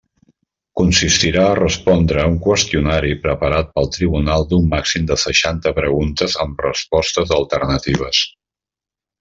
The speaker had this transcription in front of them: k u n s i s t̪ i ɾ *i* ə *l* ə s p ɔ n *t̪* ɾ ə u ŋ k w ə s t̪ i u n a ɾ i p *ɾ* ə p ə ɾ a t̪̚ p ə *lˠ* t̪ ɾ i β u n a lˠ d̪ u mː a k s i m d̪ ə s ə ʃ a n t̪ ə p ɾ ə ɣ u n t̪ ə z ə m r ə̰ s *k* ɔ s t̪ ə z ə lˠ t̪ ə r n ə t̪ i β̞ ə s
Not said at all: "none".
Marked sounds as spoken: a, r, d̪, ɾ, lˠ, p

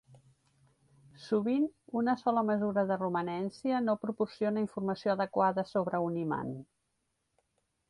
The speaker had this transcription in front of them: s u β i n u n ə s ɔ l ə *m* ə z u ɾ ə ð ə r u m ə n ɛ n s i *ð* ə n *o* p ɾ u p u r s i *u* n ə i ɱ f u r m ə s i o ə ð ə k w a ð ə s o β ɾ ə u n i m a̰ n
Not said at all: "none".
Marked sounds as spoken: m, none, o, o

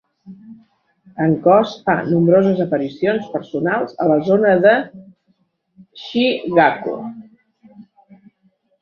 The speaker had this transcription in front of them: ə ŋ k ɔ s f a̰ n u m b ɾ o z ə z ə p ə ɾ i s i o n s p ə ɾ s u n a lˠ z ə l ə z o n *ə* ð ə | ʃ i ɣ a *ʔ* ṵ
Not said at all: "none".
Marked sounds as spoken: ə, k

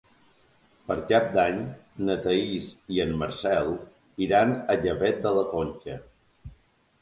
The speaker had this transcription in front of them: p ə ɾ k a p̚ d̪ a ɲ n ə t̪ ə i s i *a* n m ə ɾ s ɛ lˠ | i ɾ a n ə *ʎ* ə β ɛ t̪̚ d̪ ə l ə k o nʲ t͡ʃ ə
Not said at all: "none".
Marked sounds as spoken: ə, ʎ

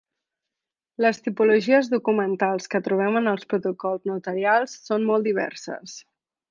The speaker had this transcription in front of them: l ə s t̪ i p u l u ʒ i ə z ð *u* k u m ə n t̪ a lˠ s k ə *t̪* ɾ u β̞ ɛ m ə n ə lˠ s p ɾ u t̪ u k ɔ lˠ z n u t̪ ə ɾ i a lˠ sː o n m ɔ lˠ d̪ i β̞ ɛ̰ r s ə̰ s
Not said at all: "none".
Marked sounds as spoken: u, t̪

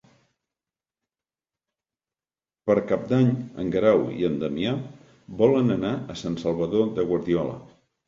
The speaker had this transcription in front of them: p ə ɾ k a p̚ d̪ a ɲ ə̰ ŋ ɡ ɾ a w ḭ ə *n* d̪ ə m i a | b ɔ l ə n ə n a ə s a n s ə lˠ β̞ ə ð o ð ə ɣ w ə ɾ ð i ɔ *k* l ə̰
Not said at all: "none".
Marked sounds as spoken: n, none

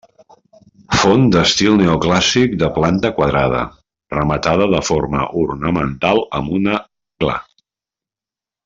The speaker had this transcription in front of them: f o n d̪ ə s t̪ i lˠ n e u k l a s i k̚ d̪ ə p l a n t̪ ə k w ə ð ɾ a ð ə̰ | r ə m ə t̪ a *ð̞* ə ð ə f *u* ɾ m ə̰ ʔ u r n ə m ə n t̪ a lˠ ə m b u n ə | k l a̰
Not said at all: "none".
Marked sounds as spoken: ð̞, o

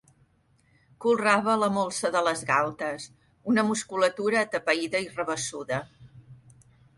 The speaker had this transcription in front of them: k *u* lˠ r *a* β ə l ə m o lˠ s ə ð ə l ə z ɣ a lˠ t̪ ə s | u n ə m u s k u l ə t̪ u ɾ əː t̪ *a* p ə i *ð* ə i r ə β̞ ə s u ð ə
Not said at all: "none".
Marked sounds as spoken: u, a, ə, ð

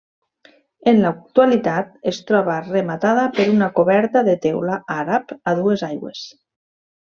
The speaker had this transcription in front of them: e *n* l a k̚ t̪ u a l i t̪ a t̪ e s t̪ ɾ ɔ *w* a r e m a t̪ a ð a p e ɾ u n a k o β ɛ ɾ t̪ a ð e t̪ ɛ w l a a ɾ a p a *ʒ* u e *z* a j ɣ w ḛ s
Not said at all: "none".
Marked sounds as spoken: n, β, ð, z

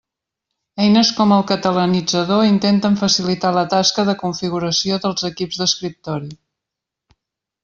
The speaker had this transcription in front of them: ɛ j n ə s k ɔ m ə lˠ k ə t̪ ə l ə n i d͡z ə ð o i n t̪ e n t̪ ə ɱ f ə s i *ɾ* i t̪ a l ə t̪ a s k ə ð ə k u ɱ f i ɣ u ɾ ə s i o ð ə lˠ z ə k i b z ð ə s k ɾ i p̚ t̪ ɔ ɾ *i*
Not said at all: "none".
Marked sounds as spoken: l, i

